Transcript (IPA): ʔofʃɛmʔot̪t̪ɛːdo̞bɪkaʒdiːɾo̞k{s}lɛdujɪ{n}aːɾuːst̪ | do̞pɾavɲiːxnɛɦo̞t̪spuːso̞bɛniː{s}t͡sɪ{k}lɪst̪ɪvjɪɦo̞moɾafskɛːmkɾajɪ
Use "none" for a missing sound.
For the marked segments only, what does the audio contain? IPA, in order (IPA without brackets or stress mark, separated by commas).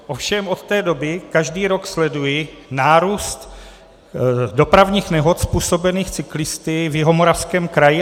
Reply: s, n, x, k